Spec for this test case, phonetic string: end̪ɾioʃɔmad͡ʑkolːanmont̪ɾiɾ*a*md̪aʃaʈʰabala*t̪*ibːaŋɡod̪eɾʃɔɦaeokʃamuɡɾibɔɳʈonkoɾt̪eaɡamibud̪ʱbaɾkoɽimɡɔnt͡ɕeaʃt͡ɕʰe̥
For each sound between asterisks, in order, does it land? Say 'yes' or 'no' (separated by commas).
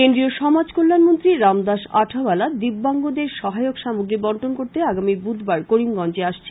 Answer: yes, no